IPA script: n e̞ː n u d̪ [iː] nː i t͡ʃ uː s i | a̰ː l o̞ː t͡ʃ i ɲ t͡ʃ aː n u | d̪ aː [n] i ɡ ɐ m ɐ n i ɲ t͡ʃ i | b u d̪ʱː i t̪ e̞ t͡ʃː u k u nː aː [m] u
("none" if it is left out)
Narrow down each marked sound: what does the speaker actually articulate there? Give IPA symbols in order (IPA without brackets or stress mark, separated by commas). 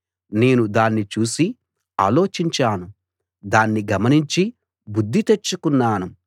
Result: aː, nː, n